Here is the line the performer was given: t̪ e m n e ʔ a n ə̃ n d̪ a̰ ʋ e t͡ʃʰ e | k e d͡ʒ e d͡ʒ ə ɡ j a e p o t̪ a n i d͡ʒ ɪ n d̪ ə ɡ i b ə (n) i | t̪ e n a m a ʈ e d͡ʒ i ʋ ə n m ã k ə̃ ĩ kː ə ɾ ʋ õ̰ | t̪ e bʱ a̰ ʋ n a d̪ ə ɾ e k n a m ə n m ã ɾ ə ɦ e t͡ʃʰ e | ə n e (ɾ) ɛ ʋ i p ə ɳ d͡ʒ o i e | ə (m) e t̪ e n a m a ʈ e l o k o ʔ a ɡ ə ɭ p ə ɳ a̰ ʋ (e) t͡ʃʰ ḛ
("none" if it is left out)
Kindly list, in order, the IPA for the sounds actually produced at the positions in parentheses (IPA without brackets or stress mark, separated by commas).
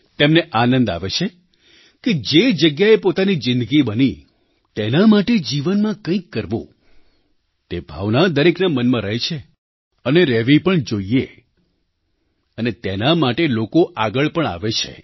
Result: n, ɾ, n, e